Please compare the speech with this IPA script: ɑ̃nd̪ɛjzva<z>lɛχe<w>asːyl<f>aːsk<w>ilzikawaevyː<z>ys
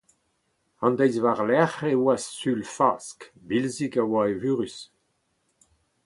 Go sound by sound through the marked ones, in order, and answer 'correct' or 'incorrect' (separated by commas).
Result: incorrect, correct, correct, incorrect, incorrect